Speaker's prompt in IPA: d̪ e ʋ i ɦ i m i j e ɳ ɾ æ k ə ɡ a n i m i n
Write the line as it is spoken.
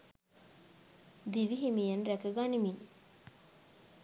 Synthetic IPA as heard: d̪ i ʋ i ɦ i m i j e n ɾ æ k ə ɡ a n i m i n